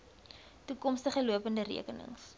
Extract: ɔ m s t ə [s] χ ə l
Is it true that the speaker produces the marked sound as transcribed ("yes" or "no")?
no